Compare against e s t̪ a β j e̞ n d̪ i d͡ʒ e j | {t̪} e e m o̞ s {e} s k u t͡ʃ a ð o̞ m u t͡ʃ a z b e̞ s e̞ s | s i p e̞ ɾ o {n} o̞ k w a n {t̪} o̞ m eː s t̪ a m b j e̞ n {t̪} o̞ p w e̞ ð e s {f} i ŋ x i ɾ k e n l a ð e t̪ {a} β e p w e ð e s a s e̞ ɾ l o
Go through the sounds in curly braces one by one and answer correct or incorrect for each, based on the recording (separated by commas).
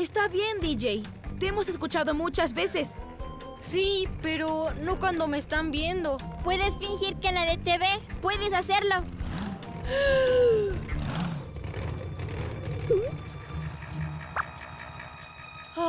correct, correct, correct, incorrect, incorrect, correct, incorrect